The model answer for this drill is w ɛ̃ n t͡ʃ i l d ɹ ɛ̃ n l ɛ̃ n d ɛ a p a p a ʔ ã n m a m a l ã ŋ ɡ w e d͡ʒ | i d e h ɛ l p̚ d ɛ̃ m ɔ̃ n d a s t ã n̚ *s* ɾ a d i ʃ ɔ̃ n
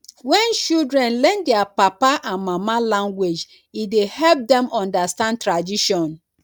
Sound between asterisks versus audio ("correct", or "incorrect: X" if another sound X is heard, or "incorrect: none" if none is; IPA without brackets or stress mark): incorrect: t